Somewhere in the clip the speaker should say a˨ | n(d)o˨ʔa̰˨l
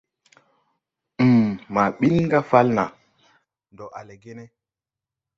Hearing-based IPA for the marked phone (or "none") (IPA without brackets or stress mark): d